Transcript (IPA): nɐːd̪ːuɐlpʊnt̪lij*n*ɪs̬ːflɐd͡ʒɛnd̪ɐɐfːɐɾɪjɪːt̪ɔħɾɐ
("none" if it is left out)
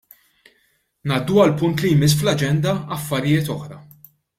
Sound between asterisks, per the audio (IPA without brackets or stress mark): m